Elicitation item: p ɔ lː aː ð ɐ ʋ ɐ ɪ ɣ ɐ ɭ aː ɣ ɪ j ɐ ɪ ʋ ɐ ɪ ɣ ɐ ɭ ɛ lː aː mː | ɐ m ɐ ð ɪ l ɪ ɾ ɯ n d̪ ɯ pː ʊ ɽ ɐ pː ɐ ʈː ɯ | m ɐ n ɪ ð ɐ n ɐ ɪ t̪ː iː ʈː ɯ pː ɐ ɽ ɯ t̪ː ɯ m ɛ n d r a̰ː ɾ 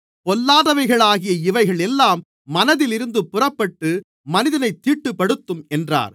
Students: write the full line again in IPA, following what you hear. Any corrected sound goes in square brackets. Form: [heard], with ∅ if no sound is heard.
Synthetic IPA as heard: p ɔ lː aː ð ɐ ʋ ɐ ɪ ɣ ɐ ɭ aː ɣ ɪ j ɐ ɪ ʋ ɐ ɪ ɣ ɐ ɭ ɛ lː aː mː | ɐ [n] ɐ ð ɪ l ɪ ɾ ɯ n d̪ ɯ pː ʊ [r] ɐ pː ɐ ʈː ɯ | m ɐ n ɪ ð ɐ n ɐ ɪ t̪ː iː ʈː ɯ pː ɐ ɽ ɯ t̪ː ɯ m ɛ n d r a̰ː ɾ